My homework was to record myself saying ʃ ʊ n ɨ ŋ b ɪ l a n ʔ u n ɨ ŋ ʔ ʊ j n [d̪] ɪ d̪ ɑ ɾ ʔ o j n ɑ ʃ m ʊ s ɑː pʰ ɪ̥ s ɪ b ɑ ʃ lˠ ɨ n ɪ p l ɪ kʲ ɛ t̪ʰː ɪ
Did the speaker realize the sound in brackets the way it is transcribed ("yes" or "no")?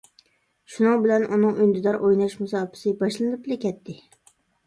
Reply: yes